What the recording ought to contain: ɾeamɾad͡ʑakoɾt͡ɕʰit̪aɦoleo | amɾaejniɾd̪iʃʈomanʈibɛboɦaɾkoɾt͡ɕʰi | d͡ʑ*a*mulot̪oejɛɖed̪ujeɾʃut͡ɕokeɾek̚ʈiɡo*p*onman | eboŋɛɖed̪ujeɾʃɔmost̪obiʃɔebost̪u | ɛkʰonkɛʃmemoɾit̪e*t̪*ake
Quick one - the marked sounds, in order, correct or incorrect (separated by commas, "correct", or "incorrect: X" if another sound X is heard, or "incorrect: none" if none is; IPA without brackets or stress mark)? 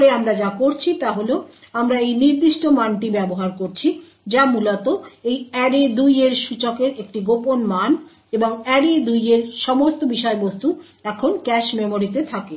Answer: correct, correct, incorrect: t̪ʰ